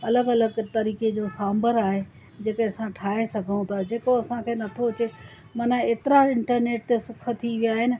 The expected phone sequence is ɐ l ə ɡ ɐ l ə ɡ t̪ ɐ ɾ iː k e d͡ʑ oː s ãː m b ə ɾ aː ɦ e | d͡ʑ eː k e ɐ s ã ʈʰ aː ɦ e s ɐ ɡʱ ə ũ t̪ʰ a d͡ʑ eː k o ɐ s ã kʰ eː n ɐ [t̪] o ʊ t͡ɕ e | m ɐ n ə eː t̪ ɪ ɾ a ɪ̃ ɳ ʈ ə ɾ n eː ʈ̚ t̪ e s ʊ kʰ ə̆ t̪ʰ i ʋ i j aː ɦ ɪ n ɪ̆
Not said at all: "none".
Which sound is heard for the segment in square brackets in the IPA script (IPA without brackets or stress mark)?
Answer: t̪ʰ